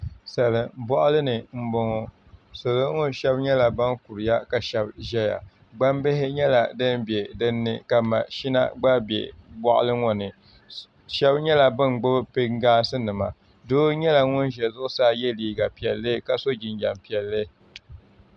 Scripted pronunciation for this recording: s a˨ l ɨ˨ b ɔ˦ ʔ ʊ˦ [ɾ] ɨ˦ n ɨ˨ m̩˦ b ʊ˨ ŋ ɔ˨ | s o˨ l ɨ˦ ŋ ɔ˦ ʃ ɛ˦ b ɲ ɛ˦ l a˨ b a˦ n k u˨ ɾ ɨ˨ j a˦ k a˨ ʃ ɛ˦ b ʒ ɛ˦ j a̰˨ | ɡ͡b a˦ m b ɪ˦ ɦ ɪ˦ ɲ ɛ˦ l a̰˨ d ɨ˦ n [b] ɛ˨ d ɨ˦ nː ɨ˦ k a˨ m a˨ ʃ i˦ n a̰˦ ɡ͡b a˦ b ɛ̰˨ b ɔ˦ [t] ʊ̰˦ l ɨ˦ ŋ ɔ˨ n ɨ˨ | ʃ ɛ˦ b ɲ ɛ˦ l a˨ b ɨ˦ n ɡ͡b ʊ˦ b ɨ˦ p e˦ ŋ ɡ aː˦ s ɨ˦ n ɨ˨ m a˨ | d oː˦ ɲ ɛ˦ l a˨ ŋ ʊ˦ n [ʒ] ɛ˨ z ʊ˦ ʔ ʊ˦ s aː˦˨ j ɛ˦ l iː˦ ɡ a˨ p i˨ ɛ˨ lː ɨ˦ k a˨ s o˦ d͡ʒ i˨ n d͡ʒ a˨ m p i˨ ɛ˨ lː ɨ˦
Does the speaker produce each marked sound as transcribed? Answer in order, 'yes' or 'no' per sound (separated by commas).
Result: no, yes, no, yes